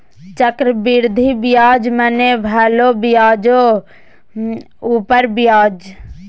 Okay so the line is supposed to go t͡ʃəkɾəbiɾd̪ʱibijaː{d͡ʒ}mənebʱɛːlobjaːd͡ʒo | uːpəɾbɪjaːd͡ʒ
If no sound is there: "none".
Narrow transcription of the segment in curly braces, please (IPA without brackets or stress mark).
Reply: d͡ʒ